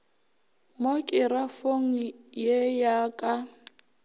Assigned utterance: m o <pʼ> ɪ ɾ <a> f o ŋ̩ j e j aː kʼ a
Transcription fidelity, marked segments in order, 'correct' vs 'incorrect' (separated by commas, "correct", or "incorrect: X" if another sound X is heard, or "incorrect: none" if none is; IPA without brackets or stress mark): incorrect: kʼ, correct